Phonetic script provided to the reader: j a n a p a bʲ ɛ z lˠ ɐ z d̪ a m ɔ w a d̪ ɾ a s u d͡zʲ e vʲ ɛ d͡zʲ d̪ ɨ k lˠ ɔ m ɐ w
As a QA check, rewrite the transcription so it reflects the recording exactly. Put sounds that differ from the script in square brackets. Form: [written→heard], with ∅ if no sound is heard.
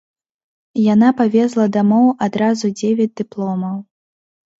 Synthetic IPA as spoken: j a n a p a [bʲ→vʲ] ɛ z lˠ ɐ [z→∅] d̪ a m ɔ w a d̪ ɾ a [s→z] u d͡zʲ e vʲ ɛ d͡zʲ d̪ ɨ [k→p] lˠ ɔ m ɐ w